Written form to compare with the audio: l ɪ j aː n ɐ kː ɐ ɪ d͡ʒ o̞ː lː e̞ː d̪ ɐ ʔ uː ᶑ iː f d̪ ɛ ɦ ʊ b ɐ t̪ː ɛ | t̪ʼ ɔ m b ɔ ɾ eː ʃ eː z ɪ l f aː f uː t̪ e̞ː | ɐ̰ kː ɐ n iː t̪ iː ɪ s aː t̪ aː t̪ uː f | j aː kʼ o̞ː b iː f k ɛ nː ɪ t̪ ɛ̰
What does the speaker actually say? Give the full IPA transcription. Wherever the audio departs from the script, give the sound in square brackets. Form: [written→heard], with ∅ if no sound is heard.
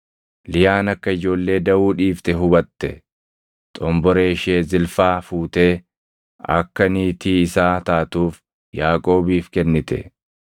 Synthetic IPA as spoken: l ɪ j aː n ɐ kː ɐ ɪ d͡ʒ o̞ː lː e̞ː d̪ ɐ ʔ uː ᶑ iː f [d̪→t̪] ɛ ɦ ʊ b ɐ t̪ː ɛ | t̪ʼ ɔ m b ɔ ɾ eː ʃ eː z ɪ l f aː f uː t̪ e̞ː | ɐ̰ kː ɐ n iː t̪ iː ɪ s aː t̪ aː t̪ uː f | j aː kʼ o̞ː b iː f k ɛ nː ɪ t̪ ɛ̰